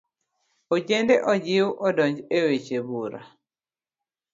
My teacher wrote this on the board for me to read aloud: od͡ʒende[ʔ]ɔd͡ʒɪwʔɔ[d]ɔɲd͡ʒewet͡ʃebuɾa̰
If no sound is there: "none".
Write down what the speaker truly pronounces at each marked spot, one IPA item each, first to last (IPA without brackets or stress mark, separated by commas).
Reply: ʔ, d